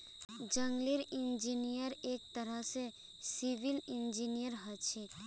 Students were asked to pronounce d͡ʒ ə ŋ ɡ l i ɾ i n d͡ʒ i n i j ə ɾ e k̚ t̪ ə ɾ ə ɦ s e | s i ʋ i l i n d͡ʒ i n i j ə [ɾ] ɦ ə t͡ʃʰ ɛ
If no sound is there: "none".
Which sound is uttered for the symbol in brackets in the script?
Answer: ɾ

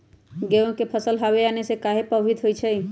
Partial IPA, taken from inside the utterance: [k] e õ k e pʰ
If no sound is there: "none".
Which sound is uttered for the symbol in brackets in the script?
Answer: ɡ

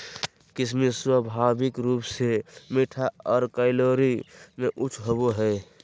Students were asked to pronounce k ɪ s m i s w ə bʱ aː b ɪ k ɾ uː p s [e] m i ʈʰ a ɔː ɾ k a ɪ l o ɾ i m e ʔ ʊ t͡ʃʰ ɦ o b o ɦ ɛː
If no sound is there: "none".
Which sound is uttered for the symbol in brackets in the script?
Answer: e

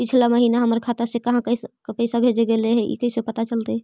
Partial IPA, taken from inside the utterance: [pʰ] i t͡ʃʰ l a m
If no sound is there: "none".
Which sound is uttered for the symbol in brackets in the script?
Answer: p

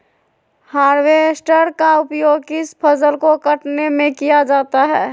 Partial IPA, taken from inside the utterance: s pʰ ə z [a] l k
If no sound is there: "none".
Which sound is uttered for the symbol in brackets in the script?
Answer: ə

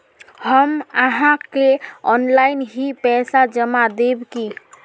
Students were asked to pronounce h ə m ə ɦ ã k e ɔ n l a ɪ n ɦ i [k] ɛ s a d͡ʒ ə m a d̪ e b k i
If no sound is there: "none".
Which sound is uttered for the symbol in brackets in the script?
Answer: p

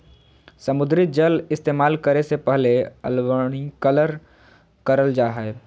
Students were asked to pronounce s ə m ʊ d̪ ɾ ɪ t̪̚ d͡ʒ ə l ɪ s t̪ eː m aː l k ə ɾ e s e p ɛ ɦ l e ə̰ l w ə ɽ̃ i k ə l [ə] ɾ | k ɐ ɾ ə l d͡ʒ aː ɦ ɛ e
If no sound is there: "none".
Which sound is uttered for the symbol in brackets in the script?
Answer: ə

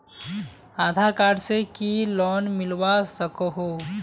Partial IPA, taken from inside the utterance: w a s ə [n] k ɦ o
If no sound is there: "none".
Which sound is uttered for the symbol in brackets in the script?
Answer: none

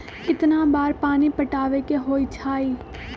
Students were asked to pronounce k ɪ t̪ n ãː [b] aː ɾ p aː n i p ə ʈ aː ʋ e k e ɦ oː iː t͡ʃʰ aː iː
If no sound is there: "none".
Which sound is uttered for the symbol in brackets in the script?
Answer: b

